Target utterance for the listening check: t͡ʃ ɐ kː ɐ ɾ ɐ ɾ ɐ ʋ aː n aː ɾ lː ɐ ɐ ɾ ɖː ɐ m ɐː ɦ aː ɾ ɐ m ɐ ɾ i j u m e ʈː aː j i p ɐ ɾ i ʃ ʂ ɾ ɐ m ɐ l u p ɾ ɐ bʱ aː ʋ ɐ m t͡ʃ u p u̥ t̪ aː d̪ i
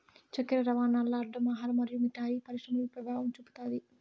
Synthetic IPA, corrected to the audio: t͡ʃ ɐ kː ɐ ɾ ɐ ɾ ɐ ʋ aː n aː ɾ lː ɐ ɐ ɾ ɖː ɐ m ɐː ɦ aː ɾ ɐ m ɐ ɾ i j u m i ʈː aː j i p ɐ ɾ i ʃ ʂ ɾ ɐ m ɐ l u p ɾ ɐ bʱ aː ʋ ɐ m t͡ʃ u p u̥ t̪ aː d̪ i